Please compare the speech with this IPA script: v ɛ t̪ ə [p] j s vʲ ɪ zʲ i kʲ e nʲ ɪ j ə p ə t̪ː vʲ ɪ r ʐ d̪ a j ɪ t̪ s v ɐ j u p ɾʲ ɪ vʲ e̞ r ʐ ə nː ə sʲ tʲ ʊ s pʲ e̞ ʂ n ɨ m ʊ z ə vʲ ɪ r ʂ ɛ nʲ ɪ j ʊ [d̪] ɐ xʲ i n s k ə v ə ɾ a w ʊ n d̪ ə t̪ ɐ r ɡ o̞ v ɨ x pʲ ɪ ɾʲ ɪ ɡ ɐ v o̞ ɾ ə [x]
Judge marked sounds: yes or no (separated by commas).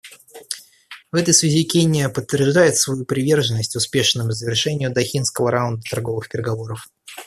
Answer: no, yes, no